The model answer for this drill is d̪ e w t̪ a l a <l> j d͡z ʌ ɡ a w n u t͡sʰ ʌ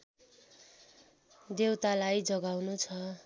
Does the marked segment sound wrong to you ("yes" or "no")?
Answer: yes